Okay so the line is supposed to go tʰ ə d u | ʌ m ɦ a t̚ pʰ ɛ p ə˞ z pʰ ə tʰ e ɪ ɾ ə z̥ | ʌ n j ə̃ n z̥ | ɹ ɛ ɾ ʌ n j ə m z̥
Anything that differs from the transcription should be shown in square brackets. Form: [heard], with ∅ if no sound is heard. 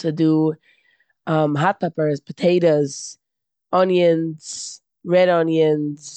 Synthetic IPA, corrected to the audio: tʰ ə d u | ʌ m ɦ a t̚ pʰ ɛ p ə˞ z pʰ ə tʰ e ɪ ɾ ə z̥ | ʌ n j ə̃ n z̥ | ɹ ɛ ɾ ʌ n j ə [n] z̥